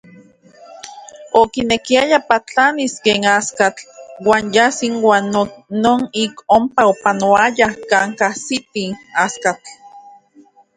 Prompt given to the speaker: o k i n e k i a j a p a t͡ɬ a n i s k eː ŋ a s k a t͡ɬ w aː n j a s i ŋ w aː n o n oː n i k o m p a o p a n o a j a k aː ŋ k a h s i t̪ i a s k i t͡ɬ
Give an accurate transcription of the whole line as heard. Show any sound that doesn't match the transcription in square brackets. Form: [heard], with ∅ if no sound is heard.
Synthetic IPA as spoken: o k i n e k i a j a p a t͡ɬ a n i s k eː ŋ a s k a t͡ɬ w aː n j a s i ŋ w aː n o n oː n i k o m p a o p a n o a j a k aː ŋ k a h s i t̪ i a s k [a] t͡ɬ